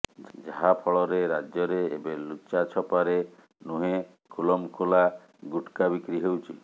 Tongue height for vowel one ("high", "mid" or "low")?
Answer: low